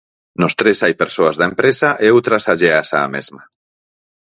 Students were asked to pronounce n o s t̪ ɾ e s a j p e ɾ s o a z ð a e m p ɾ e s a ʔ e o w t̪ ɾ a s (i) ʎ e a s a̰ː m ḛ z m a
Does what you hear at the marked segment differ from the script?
yes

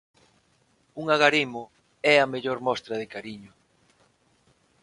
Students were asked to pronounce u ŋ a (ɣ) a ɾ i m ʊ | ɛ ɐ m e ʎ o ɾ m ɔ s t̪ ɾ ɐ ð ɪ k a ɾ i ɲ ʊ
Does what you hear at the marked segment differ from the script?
no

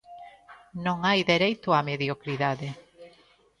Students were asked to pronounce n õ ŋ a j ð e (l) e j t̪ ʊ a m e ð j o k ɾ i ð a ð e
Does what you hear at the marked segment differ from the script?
yes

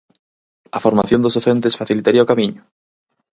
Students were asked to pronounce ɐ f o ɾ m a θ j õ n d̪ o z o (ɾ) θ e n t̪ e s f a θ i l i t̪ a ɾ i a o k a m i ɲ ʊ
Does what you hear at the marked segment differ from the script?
yes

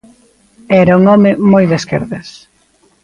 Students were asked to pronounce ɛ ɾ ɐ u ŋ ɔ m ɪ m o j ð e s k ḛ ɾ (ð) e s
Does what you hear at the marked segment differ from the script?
no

